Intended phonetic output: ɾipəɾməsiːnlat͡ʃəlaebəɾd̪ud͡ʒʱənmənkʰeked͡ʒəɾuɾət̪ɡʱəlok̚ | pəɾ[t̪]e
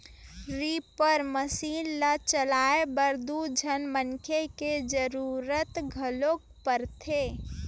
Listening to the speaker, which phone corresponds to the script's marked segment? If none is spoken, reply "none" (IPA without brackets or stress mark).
t̪ʰ